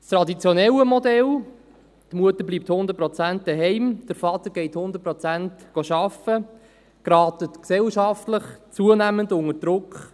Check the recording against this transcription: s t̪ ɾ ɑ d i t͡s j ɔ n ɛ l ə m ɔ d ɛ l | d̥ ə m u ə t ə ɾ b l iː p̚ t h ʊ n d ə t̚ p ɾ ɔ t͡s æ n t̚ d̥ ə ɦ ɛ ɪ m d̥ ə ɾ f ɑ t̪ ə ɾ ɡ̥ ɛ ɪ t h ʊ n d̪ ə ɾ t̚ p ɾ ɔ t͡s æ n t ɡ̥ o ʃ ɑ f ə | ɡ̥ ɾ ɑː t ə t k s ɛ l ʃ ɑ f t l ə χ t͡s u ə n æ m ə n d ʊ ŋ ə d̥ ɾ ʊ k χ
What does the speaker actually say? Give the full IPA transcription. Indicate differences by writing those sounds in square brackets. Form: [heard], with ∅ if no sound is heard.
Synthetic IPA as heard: s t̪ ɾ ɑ d i t͡s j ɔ n ɛ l ə m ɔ d ɛ l | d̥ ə m u ə t ə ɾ b l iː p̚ t h ʊ n d ə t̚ p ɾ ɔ t͡s æ n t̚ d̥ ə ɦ ɛ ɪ m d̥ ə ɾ f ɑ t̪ ə ɾ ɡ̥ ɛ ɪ t h ʊ n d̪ ə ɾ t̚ p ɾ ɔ t͡s æ n t ɡ̥ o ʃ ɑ f ə | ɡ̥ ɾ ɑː t ə t k s ɛ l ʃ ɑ f t l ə χ t͡s u ə n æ m ə n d ʊ ŋ ə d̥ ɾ ʊ k χ

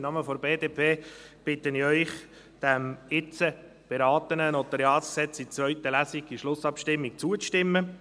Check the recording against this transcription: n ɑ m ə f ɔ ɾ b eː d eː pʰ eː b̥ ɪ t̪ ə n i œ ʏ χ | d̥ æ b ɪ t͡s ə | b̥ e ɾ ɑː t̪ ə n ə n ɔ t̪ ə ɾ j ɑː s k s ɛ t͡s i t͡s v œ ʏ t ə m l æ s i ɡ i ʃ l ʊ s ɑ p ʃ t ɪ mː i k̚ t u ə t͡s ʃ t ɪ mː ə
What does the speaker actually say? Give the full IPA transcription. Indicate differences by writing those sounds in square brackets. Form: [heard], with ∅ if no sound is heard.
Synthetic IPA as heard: n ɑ m ə f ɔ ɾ b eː d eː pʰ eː b̥ ɪ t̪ ə n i œ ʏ χ | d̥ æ [m] ɪ t͡s ə | b̥ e ɾ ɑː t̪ ə n ə n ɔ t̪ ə ɾ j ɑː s k s ɛ t͡s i t͡s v œ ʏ t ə [∅] l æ s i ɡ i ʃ l ʊ s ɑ p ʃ t ɪ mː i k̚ [t͡s] u ə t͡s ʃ t ɪ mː ə

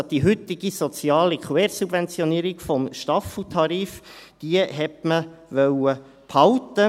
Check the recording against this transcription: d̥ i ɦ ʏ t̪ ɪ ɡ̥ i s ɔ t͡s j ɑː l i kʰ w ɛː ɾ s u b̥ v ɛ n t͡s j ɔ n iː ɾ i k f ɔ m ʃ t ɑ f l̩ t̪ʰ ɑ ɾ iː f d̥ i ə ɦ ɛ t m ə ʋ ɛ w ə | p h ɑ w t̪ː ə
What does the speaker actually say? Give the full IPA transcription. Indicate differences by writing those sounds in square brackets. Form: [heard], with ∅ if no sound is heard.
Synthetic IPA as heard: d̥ i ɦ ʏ t̪ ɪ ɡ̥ i s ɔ t͡s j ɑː l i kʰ w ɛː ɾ s u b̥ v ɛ n t͡s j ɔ n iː ɾ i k f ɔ m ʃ t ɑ f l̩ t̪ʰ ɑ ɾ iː f d̥ i ə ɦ ɛ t m ə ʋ [œ] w ə | p h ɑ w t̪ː ə

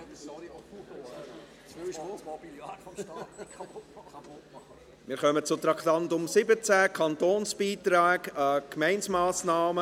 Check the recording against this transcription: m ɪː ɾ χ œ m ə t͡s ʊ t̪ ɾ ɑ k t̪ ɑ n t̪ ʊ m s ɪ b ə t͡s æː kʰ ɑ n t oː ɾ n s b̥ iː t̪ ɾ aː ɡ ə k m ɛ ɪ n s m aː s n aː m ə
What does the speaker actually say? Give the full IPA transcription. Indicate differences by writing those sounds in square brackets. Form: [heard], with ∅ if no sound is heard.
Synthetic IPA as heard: m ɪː ɾ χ œ m ə t͡s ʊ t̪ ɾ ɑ k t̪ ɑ n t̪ ʊ m s ɪ b ə t͡s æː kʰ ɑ n t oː [∅] n s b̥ iː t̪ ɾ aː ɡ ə k m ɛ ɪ n s m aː s n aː m ə

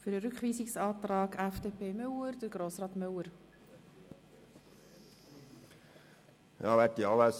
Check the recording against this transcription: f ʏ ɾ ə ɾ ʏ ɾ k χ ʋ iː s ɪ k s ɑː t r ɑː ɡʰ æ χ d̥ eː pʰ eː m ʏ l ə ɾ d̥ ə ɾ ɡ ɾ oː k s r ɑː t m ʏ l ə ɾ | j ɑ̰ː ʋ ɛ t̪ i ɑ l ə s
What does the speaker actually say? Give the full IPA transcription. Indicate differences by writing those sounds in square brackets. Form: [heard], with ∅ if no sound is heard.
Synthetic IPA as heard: f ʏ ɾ ə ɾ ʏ [∅] k χ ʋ iː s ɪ k s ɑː t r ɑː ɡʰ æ [f] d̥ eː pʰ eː m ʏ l ə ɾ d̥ ə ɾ ɡ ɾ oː [∅] s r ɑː t m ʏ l ə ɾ | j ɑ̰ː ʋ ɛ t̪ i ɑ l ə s

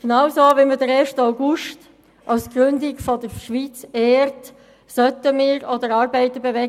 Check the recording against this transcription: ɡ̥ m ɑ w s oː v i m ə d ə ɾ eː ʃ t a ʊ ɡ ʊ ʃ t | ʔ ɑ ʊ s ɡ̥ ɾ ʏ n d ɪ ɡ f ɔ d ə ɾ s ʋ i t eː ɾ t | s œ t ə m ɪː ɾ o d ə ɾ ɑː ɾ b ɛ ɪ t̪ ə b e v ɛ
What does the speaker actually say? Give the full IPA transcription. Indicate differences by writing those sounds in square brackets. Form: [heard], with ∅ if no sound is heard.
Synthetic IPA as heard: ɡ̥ [n] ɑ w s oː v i m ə d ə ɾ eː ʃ t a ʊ ɡ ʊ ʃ t | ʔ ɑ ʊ s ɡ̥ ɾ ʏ n d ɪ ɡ f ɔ d ə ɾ [ʃ] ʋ i [t͡s] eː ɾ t | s œ t ə m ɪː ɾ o d ə ɾ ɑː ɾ b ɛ ɪ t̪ ə b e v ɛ

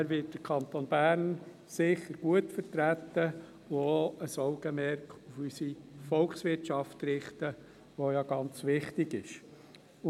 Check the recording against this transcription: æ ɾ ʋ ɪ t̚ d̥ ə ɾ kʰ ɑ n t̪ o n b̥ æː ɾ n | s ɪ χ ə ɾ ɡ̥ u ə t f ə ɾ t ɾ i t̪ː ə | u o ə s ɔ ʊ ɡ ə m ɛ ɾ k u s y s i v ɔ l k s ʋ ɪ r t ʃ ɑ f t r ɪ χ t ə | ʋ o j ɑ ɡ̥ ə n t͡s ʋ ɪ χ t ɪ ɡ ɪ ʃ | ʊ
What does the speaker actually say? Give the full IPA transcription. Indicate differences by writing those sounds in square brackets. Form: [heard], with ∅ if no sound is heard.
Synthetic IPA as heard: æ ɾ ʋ ɪ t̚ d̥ ə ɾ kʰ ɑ n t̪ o n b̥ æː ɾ n | s ɪ χ ə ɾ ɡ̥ u ə t f ə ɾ t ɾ [æ] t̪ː ə | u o ə s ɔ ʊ ɡ ə m ɛ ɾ k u [f] y s i [f] ɔ l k s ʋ ɪ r t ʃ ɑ f t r ɪ χ t ə | ʋ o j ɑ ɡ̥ [ɑ] n t͡s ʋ ɪ χ t ɪ ɡ ɪ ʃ | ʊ

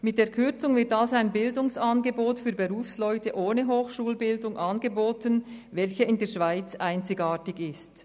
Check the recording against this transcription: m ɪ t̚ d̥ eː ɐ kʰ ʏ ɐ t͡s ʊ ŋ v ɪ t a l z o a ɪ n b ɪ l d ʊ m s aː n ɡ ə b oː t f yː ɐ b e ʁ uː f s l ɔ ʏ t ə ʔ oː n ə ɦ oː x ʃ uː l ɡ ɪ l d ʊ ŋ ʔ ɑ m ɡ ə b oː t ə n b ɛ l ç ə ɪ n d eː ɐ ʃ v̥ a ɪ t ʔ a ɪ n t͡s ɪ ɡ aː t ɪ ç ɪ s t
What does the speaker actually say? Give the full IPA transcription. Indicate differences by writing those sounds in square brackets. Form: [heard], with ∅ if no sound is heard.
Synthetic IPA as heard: m ɪ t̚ d̥ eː ɐ kʰ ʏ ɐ t͡s ʊ ŋ v ɪ t a l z o a ɪ n b ɪ l d ʊ [ŋ] s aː n ɡ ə b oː t f yː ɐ b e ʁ uː f s l ɔ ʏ t ə ʔ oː n ə ɦ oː x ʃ uː l [b] ɪ l d ʊ ŋ ʔ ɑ [n] ɡ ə b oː t ə n [v] ɛ l ç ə ɪ n d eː ɐ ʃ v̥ a ɪ [t͡s] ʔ a ɪ n t͡s ɪ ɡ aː t ɪ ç ɪ s t

